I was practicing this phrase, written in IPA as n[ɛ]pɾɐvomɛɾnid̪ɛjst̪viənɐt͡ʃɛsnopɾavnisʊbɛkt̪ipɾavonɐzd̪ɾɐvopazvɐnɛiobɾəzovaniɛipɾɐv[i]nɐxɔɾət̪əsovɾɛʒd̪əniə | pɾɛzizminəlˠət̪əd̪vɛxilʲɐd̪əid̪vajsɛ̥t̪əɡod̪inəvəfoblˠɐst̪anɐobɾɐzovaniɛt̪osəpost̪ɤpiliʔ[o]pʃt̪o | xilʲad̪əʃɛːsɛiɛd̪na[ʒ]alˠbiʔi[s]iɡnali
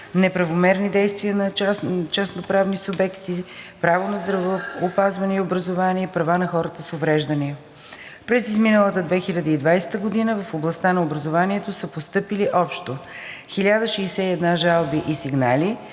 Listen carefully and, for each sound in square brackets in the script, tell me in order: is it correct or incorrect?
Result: correct, incorrect: a, incorrect: ɔ, correct, correct

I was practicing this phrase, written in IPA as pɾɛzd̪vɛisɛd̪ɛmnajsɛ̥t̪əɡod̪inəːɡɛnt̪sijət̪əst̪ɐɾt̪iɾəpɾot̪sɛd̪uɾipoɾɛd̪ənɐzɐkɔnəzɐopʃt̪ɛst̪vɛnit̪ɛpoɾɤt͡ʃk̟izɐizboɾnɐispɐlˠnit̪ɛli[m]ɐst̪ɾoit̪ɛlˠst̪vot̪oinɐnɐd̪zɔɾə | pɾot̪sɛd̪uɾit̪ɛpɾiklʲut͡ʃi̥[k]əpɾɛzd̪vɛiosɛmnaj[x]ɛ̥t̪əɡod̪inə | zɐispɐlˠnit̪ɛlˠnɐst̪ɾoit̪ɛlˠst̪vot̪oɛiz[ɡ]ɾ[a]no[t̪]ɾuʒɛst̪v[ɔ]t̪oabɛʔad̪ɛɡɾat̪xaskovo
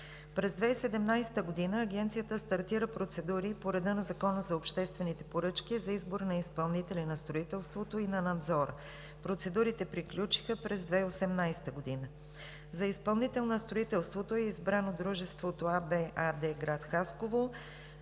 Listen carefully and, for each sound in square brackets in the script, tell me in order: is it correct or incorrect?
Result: incorrect: n, incorrect: x, incorrect: s, incorrect: b, correct, incorrect: d̪, incorrect: o

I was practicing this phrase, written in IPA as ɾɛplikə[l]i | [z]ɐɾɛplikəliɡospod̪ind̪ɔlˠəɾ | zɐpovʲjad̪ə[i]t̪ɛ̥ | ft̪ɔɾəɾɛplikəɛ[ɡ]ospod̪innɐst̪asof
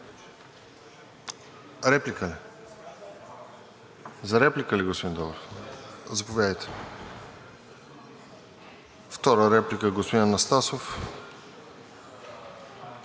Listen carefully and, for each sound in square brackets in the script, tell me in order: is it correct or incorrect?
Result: correct, correct, incorrect: j, correct

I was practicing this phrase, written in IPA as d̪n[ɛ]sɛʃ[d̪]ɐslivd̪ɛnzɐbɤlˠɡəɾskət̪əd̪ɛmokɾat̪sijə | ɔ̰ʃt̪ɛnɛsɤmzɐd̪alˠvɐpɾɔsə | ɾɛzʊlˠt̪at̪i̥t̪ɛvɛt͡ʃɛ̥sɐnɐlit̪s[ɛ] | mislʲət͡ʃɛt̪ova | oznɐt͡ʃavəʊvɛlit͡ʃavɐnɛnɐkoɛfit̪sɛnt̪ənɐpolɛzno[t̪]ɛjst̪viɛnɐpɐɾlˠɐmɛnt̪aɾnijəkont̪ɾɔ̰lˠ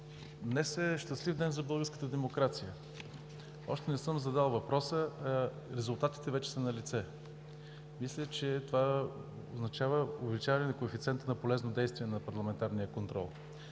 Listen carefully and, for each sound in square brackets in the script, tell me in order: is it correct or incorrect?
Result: correct, incorrect: t̪, correct, incorrect: d̪

